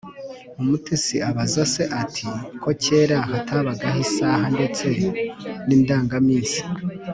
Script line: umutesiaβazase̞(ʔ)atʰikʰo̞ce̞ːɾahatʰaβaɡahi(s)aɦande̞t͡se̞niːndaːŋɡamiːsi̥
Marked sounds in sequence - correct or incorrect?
correct, correct

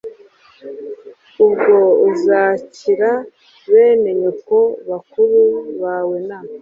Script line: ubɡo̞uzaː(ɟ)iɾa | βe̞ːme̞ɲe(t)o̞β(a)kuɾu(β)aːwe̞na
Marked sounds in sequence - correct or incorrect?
incorrect: c, incorrect: k, correct, correct

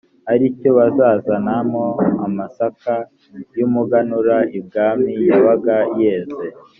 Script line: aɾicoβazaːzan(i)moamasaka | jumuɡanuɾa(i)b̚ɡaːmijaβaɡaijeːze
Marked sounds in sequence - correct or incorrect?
incorrect: a, correct

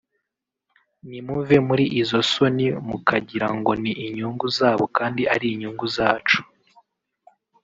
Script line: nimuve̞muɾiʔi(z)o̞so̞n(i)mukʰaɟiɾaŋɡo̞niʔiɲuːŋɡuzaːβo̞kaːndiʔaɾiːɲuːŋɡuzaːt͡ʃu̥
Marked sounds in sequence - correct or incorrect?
correct, correct

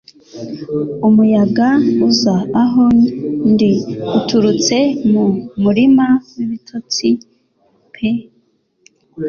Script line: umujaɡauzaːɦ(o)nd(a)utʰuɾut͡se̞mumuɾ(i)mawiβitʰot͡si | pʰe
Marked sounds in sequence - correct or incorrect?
correct, incorrect: i, correct

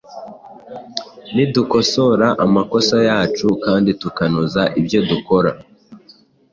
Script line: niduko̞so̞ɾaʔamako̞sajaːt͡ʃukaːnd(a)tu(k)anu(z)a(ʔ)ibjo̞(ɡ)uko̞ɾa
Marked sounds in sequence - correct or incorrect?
incorrect: i, correct, correct, correct, incorrect: d

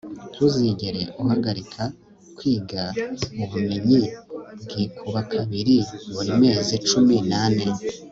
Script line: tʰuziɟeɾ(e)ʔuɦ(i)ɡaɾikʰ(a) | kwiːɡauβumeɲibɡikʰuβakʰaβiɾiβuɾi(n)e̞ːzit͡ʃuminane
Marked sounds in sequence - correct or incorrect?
correct, incorrect: a, correct, incorrect: m

